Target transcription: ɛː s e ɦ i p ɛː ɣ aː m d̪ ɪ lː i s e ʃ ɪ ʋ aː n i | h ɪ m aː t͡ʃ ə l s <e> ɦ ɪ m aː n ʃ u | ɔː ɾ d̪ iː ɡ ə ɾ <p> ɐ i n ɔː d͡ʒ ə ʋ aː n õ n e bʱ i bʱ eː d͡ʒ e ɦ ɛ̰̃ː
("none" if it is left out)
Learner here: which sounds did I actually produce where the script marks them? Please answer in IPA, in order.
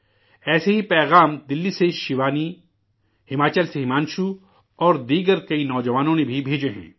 e, k

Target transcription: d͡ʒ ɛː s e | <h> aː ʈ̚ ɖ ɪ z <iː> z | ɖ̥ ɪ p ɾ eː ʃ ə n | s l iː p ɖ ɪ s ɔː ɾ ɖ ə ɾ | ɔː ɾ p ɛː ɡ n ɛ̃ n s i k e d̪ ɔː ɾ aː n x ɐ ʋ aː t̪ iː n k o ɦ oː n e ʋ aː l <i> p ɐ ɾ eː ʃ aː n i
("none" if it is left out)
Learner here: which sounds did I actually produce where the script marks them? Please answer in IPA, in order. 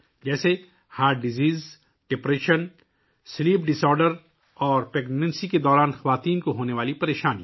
h, iː, i

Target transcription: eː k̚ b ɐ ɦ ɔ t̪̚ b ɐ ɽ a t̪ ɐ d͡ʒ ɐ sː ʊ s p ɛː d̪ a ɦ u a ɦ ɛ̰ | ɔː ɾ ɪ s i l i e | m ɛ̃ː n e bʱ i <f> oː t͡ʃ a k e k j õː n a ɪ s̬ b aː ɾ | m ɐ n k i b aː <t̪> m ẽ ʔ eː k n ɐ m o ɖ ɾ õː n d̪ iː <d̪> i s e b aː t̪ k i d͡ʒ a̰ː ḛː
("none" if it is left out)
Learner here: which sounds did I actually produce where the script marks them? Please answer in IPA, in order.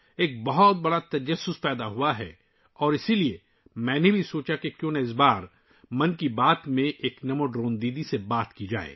s, t̪, d̪

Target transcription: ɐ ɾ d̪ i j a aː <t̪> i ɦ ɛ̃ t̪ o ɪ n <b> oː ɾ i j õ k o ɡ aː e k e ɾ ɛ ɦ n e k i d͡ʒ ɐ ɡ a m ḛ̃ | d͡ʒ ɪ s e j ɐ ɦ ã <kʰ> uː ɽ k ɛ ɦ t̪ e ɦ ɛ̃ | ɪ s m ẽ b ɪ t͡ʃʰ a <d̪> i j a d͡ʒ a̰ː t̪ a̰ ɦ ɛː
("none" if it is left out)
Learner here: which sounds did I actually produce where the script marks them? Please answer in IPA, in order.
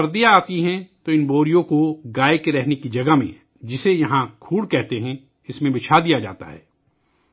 t̪, b, kʰ, d̪

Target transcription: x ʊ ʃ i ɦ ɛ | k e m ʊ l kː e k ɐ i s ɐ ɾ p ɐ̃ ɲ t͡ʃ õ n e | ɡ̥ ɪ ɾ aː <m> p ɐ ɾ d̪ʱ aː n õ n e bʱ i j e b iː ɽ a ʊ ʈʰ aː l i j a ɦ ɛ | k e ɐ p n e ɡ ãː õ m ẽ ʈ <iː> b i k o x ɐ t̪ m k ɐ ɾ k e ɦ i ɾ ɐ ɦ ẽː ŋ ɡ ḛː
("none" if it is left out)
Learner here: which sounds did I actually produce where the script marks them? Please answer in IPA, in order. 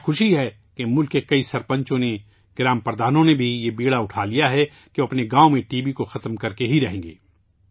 m, iː

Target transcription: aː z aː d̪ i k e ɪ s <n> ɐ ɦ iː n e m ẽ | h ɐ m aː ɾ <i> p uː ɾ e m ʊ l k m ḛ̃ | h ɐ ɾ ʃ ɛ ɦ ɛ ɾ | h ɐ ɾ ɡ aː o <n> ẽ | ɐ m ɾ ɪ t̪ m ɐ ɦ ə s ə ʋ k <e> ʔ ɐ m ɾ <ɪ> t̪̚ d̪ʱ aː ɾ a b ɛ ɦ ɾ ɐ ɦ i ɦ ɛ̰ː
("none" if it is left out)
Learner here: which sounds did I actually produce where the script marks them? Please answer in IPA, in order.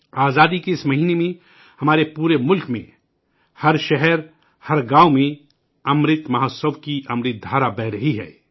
m, e, m, i, ɪ

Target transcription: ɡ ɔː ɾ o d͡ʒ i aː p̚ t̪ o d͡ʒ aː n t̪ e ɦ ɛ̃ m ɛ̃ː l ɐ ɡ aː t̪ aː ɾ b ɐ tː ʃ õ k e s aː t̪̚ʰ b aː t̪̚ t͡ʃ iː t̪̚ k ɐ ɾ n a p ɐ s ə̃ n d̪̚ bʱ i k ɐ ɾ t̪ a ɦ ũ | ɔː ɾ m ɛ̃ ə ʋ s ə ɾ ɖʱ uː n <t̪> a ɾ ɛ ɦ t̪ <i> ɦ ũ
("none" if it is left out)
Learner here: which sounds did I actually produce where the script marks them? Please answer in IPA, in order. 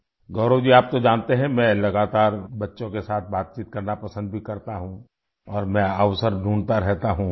t̪, a

